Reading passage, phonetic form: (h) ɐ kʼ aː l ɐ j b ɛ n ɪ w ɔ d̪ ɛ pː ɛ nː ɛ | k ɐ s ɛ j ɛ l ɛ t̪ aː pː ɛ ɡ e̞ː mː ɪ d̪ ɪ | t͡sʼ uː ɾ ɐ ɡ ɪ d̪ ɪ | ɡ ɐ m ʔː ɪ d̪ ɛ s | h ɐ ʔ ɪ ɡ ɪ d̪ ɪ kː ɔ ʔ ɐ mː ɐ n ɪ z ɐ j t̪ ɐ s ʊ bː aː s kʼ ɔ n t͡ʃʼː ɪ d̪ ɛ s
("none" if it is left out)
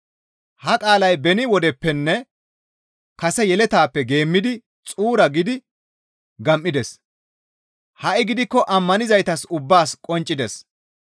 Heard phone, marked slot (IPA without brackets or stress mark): h